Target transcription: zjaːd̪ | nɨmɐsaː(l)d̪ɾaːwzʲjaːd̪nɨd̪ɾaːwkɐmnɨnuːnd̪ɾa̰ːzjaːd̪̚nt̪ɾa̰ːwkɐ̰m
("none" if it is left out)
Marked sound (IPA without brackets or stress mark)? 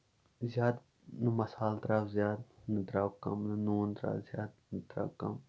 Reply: l